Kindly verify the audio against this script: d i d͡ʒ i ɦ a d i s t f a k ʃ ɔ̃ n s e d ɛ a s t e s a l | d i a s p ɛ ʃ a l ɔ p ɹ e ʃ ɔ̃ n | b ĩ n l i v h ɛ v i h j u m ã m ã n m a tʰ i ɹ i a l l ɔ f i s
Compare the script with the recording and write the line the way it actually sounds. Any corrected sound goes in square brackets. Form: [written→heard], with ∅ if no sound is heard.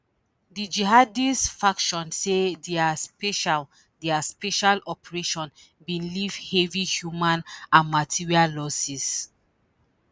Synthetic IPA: d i d͡ʒ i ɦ a d i s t f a k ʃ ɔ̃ n s e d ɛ a s [t→p] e [s→ʃ] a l | d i a s p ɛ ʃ a l ɔ p ɹ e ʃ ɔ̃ n | b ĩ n l i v h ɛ v i h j u m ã [m→n] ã n m a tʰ i ɹ i a l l ɔ [f→s] i s